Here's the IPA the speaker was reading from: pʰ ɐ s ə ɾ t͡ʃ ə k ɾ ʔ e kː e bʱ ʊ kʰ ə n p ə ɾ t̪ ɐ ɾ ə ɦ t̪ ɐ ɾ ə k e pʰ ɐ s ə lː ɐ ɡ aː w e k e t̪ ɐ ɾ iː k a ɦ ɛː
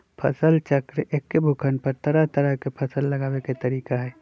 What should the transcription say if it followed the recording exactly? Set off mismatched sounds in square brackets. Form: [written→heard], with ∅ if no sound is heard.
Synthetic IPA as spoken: pʰ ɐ s ə [ɾ→l] t͡ʃ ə k ɾ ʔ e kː e bʱ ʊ kʰ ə n p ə ɾ t̪ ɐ ɾ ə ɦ t̪ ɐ ɾ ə k e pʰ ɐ s ə lː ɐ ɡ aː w e k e t̪ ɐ ɾ iː k a ɦ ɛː